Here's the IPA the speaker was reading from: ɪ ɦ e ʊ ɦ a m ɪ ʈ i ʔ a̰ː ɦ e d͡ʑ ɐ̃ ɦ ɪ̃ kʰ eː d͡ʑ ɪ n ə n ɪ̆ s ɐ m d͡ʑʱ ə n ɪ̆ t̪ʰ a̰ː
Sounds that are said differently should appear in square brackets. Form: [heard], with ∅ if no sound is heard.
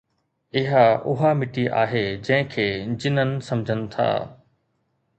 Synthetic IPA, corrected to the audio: ɪ ɦ [a] ʊ ɦ a m ɪ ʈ i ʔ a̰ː ɦ e d͡ʑ ɐ̃ ɦ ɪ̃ kʰ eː d͡ʑ ɪ n ə n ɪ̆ s ɐ m d͡ʑʱ ə n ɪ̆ t̪ʰ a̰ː